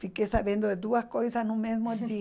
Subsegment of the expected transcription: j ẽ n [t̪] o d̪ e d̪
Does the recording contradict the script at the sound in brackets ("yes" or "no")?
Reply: yes